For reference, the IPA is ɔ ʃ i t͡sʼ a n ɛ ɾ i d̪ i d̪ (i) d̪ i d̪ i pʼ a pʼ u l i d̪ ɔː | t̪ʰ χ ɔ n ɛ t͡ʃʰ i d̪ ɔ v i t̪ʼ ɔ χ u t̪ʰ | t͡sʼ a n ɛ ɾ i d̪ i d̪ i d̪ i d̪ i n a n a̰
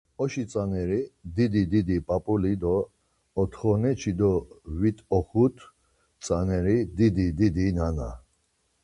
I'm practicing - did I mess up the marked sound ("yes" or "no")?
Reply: no